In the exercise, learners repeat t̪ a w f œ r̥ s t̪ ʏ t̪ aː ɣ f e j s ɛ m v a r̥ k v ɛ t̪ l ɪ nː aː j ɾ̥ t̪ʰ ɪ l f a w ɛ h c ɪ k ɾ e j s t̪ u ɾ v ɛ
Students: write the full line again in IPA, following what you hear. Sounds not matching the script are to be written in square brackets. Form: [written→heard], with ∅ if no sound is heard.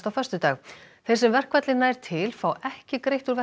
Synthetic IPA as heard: t̪ a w f œ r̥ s t̪ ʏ t̪ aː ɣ [f→θ] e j s ɛ m v [a→ɛ] r̥ k v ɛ t̪ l ɪ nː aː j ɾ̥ t̪ʰ ɪ l f a w ɛ h c ɪ k ɾ e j [s→h] t̪ u ɾ v ɛ